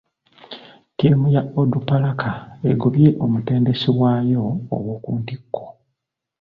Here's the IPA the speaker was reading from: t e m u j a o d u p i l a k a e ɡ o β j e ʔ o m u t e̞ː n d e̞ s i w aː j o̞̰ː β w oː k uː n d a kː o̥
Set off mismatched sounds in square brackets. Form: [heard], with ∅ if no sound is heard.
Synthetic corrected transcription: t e m u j a o d u p [a] l a k a e ɡ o β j e ʔ o m u t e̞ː n d e̞ s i w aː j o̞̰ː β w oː k uː n d [i] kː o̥